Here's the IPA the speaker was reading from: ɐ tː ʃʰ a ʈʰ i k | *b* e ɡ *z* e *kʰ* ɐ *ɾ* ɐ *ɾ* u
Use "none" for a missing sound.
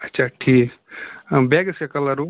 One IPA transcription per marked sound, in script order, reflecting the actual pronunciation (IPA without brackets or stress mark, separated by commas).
b, s, k, l, ɾ